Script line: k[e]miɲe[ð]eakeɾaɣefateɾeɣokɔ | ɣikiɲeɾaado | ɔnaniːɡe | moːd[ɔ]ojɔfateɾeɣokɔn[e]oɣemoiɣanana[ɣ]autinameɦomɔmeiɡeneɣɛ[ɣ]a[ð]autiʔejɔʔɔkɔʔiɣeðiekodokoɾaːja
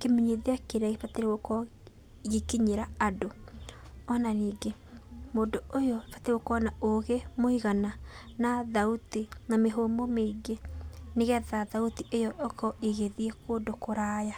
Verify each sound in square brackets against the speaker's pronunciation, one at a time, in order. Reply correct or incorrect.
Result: correct, correct, incorrect, incorrect, incorrect, incorrect, correct

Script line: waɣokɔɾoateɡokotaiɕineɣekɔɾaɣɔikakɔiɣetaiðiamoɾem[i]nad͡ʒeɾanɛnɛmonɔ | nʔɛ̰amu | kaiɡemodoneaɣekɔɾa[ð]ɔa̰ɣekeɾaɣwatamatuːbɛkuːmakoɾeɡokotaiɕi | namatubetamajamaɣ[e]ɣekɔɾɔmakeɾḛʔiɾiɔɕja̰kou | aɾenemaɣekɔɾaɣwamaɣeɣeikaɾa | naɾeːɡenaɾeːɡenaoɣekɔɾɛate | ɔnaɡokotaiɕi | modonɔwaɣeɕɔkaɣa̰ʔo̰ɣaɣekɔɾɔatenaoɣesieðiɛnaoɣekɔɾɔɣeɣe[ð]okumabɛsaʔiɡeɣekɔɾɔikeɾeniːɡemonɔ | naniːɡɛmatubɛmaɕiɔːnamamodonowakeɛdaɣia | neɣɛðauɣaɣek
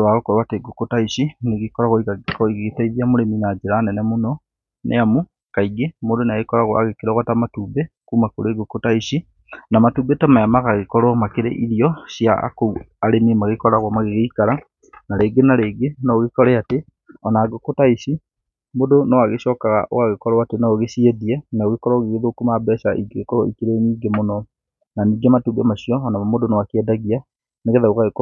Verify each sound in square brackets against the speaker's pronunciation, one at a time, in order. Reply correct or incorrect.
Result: correct, incorrect, incorrect, correct

